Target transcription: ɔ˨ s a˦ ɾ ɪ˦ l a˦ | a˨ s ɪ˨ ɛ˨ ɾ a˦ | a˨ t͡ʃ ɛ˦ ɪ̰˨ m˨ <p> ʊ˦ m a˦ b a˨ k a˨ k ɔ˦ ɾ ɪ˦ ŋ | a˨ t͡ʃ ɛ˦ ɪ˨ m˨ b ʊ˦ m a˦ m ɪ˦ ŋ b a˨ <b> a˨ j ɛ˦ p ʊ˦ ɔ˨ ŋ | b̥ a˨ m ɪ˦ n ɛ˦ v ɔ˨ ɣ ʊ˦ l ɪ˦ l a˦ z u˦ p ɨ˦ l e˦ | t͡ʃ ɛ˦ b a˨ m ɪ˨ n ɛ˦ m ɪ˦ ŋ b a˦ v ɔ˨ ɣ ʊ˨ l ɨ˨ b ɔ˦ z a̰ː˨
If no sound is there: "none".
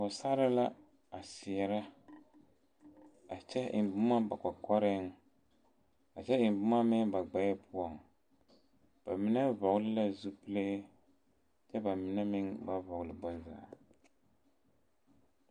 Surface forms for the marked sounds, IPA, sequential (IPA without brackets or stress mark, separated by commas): b, ɡ͡b